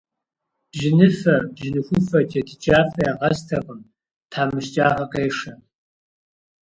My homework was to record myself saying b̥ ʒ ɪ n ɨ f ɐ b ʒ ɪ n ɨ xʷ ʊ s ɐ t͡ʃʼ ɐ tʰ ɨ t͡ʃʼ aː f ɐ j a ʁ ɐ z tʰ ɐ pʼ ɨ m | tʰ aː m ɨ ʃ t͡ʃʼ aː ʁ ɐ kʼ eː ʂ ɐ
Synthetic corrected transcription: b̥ ʒ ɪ n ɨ f ɐ b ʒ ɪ n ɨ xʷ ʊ f ɐ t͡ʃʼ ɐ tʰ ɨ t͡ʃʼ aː f ɐ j a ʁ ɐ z tʰ ɐ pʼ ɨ m | tʰ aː m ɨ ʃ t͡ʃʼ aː ʁ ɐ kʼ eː ʂ ɐ